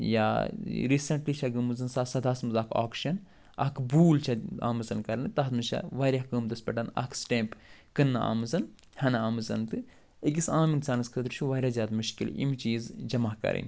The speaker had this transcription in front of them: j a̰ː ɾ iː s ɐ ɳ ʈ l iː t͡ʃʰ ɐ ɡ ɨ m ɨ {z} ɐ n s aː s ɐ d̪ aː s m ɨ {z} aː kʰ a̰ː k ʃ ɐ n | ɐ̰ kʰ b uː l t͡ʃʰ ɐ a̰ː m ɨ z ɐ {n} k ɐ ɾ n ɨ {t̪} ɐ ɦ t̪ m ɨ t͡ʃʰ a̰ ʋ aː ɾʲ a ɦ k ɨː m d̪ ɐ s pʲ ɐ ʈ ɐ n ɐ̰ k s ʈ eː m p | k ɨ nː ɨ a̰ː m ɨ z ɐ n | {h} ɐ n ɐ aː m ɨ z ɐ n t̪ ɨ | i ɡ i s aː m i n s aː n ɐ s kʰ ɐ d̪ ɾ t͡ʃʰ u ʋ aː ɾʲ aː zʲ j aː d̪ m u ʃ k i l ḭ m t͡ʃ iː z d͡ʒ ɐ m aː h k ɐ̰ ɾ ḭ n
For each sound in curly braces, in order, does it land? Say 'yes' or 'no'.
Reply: yes, yes, yes, yes, yes

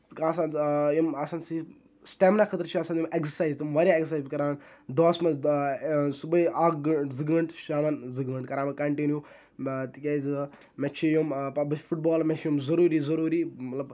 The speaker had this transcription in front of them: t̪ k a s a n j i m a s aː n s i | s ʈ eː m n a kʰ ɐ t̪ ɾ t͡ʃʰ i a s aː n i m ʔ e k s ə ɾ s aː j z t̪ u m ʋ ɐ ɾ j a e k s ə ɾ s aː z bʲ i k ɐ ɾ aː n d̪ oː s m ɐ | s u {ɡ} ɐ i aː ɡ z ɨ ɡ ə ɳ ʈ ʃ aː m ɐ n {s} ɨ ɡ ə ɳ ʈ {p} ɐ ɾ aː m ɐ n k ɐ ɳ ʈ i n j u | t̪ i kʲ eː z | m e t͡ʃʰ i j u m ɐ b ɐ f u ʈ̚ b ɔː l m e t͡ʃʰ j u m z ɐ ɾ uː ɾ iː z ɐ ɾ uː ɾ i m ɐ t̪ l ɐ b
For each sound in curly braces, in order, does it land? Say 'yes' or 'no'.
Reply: no, no, no

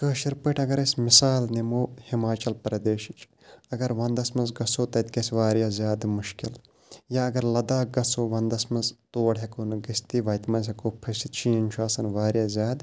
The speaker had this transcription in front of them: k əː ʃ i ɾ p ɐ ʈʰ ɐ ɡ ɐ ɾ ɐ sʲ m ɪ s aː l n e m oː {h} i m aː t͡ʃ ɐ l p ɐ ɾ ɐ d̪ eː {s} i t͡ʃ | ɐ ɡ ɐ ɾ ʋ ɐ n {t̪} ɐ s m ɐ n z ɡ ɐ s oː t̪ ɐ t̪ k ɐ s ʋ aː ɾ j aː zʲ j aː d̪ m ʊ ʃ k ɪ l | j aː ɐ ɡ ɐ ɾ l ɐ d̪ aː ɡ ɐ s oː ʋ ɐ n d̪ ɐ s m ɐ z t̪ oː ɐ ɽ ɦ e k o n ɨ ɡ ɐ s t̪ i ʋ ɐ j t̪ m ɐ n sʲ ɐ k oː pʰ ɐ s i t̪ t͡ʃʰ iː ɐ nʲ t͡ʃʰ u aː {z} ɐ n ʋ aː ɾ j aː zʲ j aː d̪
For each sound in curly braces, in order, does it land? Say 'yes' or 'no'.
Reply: yes, no, no, no

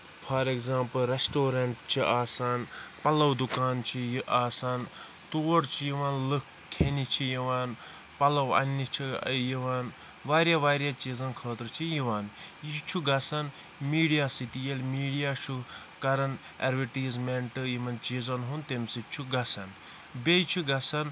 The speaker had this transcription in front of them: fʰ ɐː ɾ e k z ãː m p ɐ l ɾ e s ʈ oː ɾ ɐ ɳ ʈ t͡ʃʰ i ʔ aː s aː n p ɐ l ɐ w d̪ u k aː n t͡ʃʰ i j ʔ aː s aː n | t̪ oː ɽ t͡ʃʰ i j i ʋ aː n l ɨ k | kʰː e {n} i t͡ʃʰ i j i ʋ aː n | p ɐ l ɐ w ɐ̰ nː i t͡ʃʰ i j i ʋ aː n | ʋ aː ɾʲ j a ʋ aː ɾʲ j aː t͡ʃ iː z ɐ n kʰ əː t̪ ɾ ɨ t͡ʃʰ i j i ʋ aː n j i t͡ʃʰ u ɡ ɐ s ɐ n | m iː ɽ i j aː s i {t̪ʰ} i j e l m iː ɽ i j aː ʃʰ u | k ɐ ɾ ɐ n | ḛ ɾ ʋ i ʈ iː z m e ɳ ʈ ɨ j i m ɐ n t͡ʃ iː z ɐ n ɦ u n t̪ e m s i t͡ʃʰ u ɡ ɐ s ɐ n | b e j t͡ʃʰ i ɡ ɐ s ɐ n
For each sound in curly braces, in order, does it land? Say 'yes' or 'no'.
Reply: yes, no

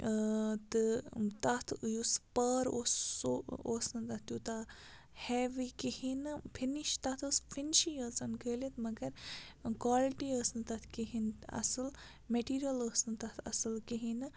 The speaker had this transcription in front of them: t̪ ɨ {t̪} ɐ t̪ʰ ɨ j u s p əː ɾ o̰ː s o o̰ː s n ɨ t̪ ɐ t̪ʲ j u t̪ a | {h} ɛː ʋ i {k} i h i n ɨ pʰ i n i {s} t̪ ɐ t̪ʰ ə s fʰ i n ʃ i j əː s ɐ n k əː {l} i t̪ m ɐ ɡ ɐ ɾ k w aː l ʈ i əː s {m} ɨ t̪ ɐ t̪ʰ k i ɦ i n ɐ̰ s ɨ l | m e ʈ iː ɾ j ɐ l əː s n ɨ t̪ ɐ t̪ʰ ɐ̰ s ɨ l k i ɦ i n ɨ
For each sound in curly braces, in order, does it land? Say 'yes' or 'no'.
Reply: yes, yes, yes, no, yes, no

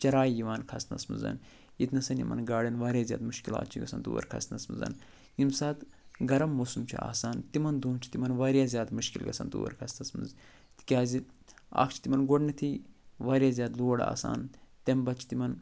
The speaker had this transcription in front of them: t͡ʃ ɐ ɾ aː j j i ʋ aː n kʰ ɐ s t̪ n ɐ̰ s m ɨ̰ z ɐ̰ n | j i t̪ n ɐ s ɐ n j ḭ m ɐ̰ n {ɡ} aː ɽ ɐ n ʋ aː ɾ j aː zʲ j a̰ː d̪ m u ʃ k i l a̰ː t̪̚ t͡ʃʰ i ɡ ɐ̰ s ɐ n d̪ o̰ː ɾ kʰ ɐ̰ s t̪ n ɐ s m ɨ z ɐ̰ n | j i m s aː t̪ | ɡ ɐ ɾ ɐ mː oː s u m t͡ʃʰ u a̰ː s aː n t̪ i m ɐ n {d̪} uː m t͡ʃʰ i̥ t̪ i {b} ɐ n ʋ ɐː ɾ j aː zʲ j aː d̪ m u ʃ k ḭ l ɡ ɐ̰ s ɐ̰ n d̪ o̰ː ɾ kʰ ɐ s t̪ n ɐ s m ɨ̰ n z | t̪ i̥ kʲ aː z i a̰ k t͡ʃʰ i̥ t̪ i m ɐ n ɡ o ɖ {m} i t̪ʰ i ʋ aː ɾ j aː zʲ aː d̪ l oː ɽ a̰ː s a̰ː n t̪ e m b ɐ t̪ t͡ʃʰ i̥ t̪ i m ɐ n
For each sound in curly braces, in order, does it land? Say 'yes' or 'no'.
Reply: yes, yes, no, no

